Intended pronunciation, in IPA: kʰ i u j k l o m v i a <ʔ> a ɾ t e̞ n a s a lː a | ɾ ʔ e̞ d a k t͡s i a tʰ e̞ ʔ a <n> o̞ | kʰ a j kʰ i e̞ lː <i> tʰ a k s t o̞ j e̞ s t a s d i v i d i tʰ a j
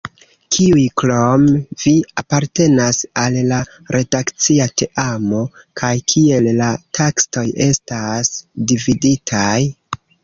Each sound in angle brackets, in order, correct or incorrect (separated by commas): incorrect, incorrect, incorrect